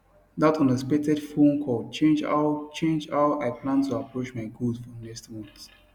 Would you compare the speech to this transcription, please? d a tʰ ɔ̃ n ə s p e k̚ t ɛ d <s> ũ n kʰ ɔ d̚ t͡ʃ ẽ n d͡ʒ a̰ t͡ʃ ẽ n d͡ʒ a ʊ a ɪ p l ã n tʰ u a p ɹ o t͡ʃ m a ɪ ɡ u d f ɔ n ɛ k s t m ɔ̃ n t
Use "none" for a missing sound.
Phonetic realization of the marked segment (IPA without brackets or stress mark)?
f